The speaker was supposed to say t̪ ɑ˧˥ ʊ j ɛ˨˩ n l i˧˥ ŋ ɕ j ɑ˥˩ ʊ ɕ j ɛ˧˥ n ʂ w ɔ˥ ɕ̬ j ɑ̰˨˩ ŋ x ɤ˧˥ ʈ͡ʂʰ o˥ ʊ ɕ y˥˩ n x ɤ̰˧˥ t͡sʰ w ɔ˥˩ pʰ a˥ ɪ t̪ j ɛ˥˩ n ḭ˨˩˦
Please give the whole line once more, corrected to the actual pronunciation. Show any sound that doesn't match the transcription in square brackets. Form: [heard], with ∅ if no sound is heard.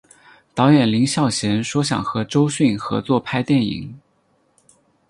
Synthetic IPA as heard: t̪ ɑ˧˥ ʊ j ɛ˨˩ n l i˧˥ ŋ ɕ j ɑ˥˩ ʊ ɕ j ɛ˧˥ n ʂ w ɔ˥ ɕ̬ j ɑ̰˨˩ ŋ x ɤ˧˥ [ʈ͡ʂ] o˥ ʊ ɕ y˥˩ n x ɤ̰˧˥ [t͡s] w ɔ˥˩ pʰ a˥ ɪ t̪ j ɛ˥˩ n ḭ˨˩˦